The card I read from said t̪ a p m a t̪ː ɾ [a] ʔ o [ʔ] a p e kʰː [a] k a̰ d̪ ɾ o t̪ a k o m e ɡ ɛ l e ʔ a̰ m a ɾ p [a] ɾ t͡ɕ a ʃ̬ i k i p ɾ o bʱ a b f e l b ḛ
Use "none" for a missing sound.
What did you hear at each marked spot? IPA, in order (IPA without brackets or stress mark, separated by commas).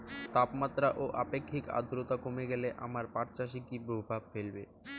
a, ʔ, i, a